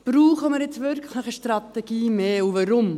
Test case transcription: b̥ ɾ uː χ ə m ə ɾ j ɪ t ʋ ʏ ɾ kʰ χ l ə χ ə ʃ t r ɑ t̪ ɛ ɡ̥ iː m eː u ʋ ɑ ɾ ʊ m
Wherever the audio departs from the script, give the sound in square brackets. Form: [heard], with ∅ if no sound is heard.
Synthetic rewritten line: b̥ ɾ uː χ ə m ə ɾ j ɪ [t͡s] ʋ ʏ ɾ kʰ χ l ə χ ə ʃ t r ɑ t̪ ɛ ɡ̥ iː m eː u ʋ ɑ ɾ ʊ m